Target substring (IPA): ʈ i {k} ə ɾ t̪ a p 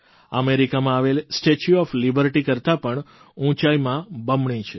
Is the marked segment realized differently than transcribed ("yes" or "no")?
no